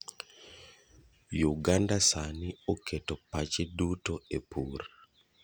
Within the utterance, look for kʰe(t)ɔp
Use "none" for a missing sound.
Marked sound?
t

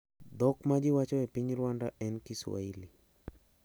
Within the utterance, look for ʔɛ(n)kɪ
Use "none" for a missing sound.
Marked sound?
n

